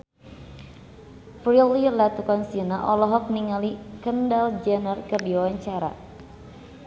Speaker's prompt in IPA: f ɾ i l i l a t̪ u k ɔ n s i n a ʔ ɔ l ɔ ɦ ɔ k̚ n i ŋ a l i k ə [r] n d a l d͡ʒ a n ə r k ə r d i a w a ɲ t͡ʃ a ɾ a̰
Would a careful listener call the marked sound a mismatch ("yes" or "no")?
yes